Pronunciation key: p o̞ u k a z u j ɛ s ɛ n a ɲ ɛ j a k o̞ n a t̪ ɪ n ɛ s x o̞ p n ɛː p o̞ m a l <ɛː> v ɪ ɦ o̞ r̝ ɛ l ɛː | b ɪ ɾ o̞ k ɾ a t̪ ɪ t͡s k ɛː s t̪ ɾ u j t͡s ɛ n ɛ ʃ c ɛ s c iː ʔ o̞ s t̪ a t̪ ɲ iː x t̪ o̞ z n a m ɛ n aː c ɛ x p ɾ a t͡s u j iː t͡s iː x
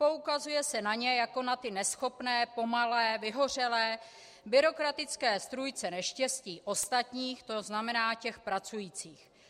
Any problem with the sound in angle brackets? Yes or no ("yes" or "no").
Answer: no